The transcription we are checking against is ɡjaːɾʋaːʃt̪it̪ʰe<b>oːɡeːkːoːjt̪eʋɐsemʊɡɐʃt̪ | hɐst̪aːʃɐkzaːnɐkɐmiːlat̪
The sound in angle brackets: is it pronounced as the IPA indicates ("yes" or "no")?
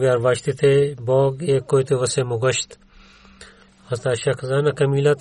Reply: yes